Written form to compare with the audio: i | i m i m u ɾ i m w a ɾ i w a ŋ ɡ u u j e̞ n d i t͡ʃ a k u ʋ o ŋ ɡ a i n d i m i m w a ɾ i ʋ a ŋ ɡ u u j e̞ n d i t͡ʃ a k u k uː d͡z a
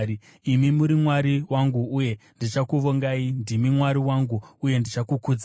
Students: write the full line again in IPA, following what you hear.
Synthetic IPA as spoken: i | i m i m u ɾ i m w a ɾ i w a ŋ ɡ u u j e̞ n d i t͡ʃ a k u ʋ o ŋ ɡ a i n d i m i m w a ɾ i w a ŋ ɡ u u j e̞ n d i t͡ʃ a k u k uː d͡z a

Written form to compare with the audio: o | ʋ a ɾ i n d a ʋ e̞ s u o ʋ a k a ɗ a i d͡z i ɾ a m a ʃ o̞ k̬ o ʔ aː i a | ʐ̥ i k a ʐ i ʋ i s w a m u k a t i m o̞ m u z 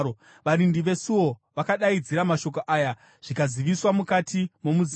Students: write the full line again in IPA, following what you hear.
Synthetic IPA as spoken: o | ʋ a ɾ i n d i ʋ e̞ s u o ʋ a k a ɗ a i d͡z i ɾ a m a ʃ o̞ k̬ o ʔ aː j a | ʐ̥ i k a z i ʋ i s w a m u k a t i m o̞ m u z

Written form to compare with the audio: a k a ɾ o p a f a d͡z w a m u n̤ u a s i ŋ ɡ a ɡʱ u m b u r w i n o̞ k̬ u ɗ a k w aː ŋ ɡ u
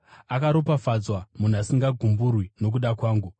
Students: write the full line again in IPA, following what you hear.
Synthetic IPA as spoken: a k a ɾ o p a f a d͡z w a m u n̤ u a s i ŋ ɡ a ɡʱ u m b u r w i n o̞ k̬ u ɗ a k w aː ŋ ɡ u

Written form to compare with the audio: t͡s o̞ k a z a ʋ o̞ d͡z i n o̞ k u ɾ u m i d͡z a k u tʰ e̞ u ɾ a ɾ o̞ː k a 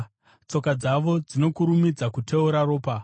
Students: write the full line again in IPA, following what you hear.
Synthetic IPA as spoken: t͡s o̞ k a d͡z a ʋ o̞ d͡z i n o̞ k u ɾ u m i d͡z a k u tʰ e̞ u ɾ a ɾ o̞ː p a

